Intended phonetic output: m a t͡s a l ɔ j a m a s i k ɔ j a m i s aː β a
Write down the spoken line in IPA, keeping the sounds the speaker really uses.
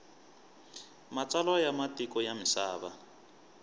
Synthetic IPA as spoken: m a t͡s a l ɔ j a m a t i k ɔ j a m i s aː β a

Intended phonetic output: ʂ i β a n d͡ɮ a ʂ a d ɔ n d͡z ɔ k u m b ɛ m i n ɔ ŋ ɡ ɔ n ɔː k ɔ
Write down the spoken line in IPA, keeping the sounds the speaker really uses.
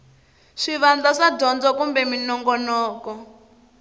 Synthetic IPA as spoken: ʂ i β a n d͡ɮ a ʂ a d ɔ n d͡z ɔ k u m b ɛ m i n ɔ ŋ ɡ ɔ n ɔː k ɔ

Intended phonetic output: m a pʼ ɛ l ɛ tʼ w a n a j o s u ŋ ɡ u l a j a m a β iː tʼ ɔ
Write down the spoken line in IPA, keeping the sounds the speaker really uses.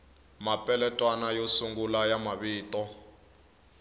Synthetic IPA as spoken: m a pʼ ɛ l ɛ tʼ w a n a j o s u ŋ ɡ u l a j a m a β iː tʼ ɔ

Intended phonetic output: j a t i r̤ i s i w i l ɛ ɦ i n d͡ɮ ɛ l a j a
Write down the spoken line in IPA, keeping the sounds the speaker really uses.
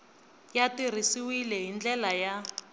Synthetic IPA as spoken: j a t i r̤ i s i w i l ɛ ɦ i n d͡ɮ ɛ l a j a

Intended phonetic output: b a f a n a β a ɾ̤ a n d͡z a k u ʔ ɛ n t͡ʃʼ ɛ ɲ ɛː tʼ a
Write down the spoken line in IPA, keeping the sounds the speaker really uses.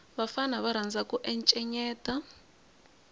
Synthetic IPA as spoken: β a f a n a β a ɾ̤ a n d͡z a k u ʔ ɛ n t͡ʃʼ ɛ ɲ ɛː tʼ a

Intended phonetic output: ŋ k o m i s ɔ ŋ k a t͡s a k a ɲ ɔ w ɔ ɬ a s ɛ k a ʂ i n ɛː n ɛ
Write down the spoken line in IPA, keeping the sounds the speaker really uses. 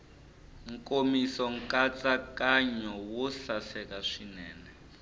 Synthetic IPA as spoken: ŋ k o m i s ɔ ŋ k a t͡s a k a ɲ ɔ w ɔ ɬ a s ɛ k a ʂ i n ɛː n ɛ

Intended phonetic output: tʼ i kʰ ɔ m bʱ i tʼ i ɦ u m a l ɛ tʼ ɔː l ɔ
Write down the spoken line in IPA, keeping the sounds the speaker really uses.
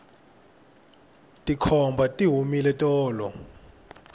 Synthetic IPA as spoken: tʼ i kʰ ɔ m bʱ a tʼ i ɦ u m i l ɛ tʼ ɔː l ɔ

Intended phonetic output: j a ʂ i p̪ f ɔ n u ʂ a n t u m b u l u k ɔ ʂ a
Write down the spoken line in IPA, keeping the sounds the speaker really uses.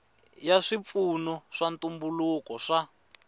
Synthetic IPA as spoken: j a ʂ i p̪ f u n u ʂ a n t u m b u l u k ɔ ʂ a

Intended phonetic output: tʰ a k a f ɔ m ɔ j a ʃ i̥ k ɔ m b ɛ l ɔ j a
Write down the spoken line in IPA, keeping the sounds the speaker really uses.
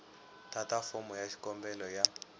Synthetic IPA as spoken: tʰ a t a f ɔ m ɔ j a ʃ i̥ k ɔ m b ɛ l ɔ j a

